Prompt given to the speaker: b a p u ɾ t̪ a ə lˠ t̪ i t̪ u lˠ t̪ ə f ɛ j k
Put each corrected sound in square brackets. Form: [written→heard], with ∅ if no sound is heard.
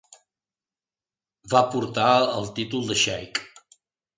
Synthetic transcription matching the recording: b a p u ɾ t̪ a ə lˠ t̪ i t̪ u lˠ [t̪→d̪] ə [f→ʃ] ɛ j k